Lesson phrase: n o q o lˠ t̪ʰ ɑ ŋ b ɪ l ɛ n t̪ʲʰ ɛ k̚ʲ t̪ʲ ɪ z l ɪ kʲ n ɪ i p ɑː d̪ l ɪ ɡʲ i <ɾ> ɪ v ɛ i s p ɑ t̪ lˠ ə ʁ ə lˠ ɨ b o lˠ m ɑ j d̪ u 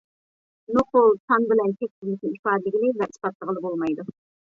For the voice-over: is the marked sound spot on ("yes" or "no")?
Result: no